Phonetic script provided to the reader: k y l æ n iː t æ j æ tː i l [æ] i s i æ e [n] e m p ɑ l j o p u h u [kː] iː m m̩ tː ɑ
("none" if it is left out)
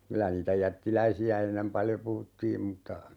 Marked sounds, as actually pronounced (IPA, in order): æ, nː, tː

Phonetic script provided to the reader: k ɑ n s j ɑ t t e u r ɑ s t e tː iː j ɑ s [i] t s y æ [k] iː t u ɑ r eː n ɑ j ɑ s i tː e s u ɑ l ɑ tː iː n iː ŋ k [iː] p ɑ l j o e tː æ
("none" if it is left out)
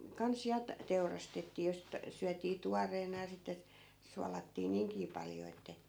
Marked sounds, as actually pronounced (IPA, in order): i, t, iː

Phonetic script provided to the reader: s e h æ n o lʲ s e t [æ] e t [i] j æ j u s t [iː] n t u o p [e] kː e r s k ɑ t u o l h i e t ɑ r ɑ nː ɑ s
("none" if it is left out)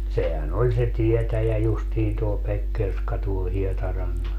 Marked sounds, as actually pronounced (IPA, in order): i, æ, iː, e

